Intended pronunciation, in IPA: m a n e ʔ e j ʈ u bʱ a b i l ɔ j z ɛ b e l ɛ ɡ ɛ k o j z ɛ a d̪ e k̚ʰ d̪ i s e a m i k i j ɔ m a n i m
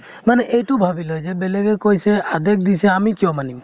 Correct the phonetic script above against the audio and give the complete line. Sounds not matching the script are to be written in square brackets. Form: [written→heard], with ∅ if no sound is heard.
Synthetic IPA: m a n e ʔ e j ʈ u bʱ a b i l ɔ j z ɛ b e l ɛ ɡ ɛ k o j [z→s] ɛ a d̪ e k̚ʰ d̪ i s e a m i k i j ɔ m a n i m